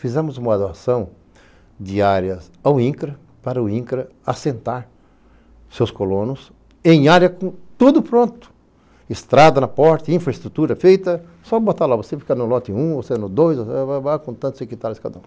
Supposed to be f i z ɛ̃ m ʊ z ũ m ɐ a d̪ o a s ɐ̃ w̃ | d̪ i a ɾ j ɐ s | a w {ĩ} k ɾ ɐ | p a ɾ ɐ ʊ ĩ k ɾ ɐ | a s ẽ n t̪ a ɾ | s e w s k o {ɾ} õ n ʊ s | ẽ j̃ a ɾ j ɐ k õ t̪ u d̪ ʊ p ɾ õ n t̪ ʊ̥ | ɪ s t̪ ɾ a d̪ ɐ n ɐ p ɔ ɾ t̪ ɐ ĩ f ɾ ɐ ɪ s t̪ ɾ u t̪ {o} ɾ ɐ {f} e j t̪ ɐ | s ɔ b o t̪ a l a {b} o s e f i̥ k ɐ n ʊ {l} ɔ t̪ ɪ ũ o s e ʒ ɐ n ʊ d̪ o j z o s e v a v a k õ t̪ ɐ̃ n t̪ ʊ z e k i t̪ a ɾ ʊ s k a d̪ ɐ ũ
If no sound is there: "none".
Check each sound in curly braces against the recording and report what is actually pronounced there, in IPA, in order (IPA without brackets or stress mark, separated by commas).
ĩ, l, u, f, v, l